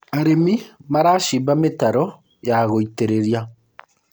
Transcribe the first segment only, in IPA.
a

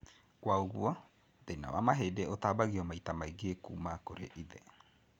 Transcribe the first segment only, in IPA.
k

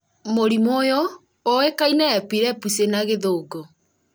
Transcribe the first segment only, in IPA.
m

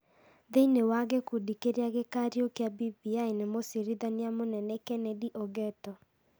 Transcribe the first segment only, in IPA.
ð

